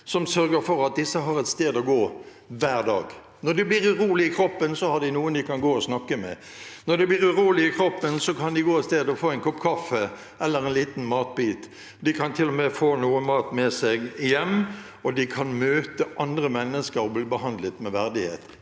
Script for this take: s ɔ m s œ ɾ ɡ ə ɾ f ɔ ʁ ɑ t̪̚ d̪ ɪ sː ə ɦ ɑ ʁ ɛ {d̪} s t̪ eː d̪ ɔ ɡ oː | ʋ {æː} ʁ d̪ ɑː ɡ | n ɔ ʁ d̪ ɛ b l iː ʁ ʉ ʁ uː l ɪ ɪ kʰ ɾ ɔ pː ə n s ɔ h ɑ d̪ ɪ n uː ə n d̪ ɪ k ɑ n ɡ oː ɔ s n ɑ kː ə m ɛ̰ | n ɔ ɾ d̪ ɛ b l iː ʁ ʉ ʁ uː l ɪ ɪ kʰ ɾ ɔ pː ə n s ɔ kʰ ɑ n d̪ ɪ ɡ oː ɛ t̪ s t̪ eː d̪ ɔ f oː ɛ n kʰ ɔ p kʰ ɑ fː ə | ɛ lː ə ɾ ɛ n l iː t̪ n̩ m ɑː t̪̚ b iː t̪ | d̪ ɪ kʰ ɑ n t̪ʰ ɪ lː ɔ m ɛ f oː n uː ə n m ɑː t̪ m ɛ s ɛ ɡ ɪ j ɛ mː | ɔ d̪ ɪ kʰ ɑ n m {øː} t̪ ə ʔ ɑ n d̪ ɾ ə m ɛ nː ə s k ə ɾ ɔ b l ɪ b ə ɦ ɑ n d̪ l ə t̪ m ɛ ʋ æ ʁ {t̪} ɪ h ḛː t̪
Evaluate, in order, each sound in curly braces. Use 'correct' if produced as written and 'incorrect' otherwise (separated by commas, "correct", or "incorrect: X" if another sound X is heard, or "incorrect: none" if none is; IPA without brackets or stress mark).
incorrect: t̪, correct, correct, incorrect: d̪